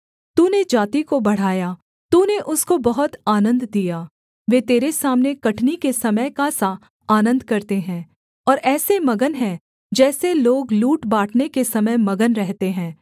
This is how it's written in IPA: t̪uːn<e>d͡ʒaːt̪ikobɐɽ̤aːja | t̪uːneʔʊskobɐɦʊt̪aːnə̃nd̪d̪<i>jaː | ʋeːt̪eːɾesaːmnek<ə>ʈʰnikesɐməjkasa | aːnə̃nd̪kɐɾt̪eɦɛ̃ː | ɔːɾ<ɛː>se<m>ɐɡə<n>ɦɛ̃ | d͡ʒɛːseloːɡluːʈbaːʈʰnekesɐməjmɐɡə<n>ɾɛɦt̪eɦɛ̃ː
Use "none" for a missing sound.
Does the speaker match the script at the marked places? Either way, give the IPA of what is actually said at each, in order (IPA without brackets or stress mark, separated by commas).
e, i, ɐ, ɛː, m, n, n